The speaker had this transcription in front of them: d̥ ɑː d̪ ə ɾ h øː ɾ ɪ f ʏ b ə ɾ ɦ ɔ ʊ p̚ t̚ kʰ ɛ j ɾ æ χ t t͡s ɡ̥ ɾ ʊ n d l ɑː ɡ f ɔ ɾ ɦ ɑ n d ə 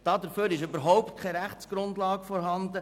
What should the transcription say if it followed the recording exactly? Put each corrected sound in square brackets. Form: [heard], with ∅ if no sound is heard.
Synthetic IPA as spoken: d̥ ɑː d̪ ə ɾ [f] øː ɾ ɪ [ʃ] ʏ b ə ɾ ɦ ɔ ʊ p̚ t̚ kʰ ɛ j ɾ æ χ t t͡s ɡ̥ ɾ ʊ n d l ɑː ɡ f ɔ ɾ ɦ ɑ n d ə